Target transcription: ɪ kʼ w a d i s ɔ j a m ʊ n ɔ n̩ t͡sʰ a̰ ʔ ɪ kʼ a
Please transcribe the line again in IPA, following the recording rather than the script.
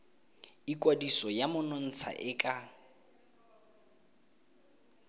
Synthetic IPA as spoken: i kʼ w a d i s ɔ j a m ʊ n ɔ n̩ t͡sʰ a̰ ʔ ɪ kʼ a